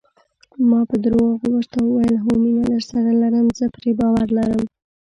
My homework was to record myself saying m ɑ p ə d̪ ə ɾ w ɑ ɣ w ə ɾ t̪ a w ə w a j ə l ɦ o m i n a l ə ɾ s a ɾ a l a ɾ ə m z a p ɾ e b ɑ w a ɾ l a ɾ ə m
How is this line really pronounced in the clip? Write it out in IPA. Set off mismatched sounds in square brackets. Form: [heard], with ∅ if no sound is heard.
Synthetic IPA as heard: m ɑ p ə d̪ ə ɾ w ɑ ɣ w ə ɾ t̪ a w ə w a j ə l ɦ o m i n a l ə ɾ s a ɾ a l a ɾ ə m z [ə] p ɾ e b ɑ w a ɾ l a ɾ ə m